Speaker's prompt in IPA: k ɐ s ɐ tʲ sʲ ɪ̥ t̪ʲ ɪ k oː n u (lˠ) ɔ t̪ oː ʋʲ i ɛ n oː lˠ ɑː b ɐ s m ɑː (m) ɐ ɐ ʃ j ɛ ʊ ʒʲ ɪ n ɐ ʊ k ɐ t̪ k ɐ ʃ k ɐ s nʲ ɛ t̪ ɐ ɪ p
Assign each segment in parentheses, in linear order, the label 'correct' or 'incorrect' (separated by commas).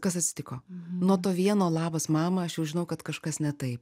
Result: incorrect, correct